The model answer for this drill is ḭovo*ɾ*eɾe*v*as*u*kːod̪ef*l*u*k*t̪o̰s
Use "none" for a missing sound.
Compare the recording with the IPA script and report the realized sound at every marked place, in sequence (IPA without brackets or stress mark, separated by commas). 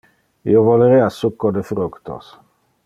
l, none, u, ɾ, k